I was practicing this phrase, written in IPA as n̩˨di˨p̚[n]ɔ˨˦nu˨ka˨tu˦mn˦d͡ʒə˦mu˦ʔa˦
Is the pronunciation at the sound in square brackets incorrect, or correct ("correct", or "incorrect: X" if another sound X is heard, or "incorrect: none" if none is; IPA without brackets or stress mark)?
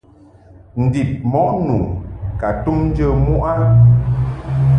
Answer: incorrect: m